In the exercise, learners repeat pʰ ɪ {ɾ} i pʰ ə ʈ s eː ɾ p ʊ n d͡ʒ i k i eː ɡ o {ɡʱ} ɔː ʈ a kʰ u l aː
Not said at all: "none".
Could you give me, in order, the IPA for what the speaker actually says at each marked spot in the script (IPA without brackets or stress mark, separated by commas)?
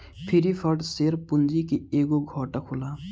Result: ɾ, ɡʱ